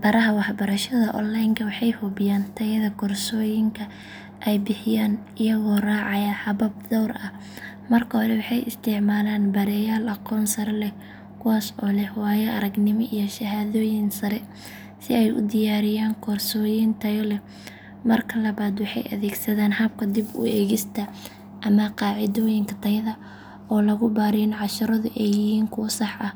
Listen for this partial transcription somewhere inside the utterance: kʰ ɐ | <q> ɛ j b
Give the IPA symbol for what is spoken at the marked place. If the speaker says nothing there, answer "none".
ʔ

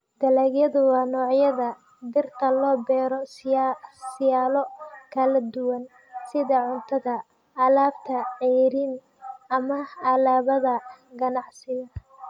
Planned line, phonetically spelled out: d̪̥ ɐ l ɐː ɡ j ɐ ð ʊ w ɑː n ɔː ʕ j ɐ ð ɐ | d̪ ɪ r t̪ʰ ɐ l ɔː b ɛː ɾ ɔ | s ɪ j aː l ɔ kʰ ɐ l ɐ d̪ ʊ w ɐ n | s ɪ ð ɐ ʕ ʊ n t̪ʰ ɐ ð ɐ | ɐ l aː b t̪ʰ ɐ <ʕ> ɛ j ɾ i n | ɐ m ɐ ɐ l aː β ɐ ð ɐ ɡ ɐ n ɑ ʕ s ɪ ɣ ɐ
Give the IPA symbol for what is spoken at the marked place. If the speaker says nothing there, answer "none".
ʕ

